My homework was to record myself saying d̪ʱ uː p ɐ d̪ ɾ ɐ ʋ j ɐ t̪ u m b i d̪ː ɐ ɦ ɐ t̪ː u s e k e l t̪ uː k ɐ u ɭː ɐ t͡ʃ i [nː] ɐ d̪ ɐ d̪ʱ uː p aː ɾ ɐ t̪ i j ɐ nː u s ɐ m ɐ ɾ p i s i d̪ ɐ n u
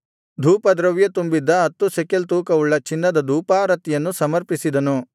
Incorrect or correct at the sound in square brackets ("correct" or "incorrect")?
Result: correct